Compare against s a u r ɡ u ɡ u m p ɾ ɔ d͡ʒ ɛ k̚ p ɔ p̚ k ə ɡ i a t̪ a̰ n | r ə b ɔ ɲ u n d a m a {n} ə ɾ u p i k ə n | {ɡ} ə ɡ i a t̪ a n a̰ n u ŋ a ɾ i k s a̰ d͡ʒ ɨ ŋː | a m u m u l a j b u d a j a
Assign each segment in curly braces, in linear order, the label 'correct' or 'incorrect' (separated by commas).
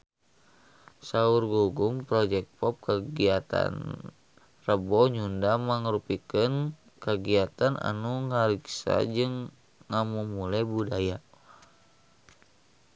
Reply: incorrect, incorrect